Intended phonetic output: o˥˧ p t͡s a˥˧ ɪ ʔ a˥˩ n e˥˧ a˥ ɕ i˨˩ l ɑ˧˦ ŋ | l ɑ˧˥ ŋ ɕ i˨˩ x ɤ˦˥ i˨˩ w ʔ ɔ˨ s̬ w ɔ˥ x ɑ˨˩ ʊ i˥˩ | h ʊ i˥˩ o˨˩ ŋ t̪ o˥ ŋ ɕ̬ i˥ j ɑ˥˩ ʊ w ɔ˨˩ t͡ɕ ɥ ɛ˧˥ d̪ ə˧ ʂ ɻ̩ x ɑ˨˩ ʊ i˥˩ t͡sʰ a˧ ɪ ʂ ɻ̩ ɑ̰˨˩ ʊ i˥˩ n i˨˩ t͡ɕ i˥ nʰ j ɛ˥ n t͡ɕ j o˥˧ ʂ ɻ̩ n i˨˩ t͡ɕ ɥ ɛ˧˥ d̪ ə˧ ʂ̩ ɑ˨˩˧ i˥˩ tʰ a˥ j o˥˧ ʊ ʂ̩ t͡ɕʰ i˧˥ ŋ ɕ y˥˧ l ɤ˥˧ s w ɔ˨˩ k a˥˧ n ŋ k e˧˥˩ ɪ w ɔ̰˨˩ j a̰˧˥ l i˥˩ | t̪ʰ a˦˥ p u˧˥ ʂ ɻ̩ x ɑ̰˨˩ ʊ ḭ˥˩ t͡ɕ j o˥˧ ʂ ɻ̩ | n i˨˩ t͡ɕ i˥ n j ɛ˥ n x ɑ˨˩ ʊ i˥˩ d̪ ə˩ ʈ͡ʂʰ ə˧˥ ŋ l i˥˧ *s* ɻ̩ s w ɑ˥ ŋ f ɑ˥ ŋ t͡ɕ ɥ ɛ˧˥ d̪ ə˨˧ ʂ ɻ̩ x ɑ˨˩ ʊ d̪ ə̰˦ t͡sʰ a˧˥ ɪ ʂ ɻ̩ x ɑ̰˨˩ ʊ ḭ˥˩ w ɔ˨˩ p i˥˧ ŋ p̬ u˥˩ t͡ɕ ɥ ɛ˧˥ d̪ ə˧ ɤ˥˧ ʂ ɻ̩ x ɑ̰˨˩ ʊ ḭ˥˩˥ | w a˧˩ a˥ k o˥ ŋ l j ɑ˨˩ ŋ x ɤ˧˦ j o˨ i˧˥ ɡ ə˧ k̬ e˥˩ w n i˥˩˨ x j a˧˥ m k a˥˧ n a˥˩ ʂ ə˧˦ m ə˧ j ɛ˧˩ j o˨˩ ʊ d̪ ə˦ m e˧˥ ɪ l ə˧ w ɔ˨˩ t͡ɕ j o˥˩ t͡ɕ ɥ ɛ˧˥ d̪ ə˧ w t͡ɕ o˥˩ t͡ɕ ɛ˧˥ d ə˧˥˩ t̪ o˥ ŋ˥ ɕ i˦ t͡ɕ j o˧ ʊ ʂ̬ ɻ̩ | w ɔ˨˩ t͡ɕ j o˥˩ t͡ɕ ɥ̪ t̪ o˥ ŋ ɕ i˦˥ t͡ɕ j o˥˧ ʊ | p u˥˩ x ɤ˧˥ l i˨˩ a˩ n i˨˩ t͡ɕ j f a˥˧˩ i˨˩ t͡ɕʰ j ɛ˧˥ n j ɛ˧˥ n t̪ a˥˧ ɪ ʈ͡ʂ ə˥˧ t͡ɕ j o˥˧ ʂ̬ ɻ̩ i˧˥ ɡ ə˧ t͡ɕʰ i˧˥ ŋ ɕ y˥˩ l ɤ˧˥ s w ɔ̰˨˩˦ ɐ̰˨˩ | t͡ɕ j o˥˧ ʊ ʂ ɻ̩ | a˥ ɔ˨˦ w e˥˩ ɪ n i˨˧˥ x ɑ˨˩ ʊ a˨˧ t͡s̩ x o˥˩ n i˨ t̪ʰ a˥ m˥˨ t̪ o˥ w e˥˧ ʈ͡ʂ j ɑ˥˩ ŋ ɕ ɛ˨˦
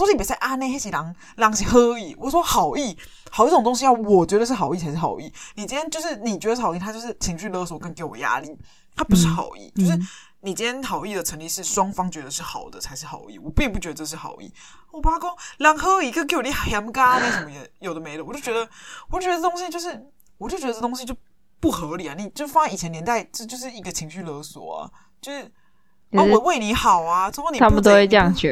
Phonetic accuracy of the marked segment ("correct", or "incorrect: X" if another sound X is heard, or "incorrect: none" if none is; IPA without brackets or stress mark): incorrect: ʂ